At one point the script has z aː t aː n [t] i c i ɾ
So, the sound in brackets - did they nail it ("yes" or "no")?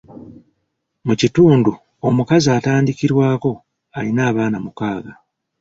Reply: no